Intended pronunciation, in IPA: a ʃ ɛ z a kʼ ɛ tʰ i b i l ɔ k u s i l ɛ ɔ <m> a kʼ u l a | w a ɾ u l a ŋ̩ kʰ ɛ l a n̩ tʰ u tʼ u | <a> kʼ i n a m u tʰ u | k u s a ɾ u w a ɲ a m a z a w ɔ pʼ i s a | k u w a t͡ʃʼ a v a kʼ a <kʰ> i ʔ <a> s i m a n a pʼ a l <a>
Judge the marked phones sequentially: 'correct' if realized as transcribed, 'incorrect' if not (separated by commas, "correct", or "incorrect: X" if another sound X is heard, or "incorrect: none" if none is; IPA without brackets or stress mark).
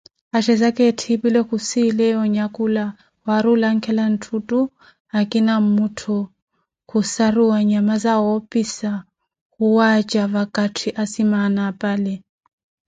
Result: incorrect: ɲ, correct, incorrect: tʰ, correct, incorrect: ɛ